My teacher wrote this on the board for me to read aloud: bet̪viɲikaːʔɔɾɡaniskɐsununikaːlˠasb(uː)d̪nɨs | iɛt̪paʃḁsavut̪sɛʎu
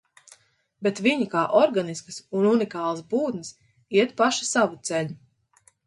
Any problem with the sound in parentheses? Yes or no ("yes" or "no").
no